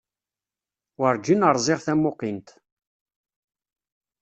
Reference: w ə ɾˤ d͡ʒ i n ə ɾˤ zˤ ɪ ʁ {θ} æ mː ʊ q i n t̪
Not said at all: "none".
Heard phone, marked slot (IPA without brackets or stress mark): θ